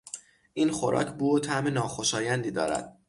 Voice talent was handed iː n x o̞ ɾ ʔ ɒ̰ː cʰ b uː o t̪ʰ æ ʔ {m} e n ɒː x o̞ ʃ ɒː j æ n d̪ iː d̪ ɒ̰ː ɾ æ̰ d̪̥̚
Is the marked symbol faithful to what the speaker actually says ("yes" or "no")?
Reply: yes